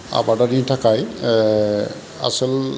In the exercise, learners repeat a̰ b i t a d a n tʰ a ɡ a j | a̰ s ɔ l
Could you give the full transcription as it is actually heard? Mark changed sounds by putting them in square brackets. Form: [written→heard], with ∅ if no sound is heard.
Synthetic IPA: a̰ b [i→a] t a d [a→i] n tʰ a [ɡ→k] a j | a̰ s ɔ l